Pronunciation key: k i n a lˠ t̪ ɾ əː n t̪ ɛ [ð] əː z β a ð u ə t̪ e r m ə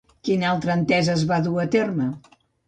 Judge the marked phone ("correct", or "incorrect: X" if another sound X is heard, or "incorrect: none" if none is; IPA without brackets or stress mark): incorrect: z